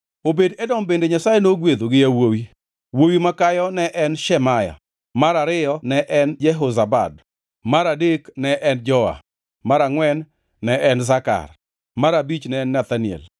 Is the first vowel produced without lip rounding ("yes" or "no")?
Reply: no